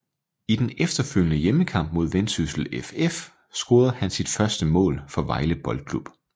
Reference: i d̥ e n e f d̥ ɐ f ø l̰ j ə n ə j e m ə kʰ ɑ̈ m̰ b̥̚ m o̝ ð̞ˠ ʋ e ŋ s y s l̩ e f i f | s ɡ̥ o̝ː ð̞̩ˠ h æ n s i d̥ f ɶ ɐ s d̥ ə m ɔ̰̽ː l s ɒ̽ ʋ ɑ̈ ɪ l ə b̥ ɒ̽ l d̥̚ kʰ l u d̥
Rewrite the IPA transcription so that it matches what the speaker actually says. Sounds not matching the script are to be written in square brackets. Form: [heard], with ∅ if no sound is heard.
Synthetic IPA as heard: i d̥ e n e f d̥ ɐ f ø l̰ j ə n ə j e m ə kʰ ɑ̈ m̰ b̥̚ m o̝ ð̞ˠ ʋ e [n] s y s l̩ e f [e] f | s ɡ̥ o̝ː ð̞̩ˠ h æ n s i d̥ f ɶ ɐ s d̥ ə m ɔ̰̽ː l [f] ɒ̽ ʋ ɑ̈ ɪ l ə b̥ ɒ̽ l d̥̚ kʰ l u [b̥]